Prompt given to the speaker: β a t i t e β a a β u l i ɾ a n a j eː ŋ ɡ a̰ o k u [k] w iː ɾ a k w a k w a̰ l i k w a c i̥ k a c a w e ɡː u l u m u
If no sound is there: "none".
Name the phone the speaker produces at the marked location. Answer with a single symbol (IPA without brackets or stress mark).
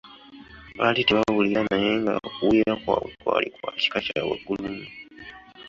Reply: none